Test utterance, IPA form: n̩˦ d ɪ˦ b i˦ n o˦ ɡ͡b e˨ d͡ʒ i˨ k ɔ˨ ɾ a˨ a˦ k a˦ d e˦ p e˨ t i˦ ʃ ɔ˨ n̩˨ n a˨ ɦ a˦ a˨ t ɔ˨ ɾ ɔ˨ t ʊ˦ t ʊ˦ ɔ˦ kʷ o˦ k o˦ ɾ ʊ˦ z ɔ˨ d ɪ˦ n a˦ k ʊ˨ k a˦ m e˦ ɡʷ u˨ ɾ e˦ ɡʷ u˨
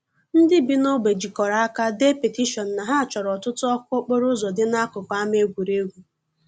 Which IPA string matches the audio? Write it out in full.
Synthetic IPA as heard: n̩˦ d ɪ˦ b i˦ n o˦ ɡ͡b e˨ d͡ʒ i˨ k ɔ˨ ɾ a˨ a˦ k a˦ d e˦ p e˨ t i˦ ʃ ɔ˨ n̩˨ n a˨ ɦ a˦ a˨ t͡ʃ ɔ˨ ɾ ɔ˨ t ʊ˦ t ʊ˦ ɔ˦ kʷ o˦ k͡p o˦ ɾ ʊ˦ z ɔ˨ d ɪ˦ n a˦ k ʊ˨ k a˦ m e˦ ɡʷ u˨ ɾ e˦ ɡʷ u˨